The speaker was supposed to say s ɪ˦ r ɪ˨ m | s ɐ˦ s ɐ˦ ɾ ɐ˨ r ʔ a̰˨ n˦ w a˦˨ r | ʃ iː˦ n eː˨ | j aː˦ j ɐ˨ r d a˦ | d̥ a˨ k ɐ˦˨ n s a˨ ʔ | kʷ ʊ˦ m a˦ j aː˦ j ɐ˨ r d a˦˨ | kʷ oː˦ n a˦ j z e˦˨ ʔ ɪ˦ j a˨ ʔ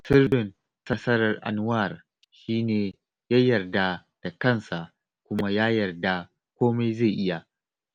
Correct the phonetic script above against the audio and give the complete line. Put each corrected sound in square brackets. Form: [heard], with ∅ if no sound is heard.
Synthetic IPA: s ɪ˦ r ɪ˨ [n] | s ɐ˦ s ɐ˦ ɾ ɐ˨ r ʔ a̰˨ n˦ w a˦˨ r | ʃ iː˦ n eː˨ | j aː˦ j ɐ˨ r d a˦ | d̥ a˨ k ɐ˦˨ n s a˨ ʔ | kʷ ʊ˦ m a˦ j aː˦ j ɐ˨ r d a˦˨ | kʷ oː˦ [m] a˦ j z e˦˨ ʔ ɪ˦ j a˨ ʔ